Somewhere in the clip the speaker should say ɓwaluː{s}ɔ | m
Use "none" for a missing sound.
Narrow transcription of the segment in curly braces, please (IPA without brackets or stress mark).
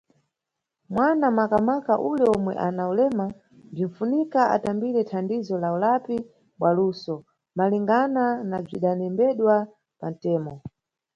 s